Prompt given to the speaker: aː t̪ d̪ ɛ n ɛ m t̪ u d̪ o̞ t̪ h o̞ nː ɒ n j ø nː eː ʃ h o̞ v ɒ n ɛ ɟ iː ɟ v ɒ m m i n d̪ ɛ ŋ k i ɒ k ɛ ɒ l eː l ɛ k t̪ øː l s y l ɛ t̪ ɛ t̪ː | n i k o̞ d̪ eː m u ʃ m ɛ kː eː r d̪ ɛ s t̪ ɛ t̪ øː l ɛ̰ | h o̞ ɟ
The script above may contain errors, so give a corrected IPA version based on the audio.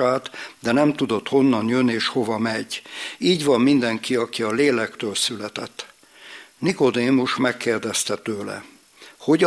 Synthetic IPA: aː t̪ d̪ ɛ n ɛ m t̪ u d̪ o̞ t̪ h o̞ nː ɒ n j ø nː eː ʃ h o̞ v ɒ m ɛ ɟ iː ɟ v ɒ m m i n d̪ ɛ ŋ k i ɒ k i ɒ l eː l ɛ k t̪ øː l s y l ɛ t̪ ɛ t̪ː | n i k o̞ d̪ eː m u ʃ m ɛ kː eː r d̪ ɛ s t̪ ɛ t̪ øː l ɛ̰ | h o̞ ɟ